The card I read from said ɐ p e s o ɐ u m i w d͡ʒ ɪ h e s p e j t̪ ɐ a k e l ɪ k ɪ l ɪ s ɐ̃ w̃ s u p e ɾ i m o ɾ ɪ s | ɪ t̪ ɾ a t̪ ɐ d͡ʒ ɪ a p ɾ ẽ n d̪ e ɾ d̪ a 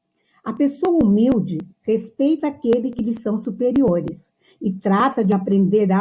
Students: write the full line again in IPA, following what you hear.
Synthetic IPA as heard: ɐ p e s o ɐ u m i w d͡ʒ ɪ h e s p e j t̪ ɐ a k e l ɪ k ɪ l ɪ s ɐ̃ w̃ s u p e ɾ i o ɾ ɪ s | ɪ t̪ ɾ a t̪ ɐ d͡ʒ ɪ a p ɾ ẽ n d̪ e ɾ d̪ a